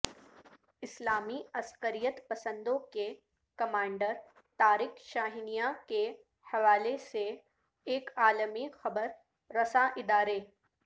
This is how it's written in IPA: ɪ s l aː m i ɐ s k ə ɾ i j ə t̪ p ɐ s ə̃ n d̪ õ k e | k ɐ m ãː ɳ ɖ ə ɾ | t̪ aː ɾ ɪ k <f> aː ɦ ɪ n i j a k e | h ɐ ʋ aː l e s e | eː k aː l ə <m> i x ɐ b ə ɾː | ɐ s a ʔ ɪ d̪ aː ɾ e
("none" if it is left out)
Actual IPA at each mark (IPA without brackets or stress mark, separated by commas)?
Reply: ʃ, m